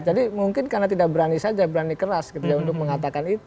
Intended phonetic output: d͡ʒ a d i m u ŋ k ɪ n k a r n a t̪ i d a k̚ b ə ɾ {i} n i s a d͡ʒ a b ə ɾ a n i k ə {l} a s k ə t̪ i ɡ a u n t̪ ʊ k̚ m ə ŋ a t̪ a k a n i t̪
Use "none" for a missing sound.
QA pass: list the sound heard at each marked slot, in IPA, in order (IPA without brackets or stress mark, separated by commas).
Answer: a, ɾ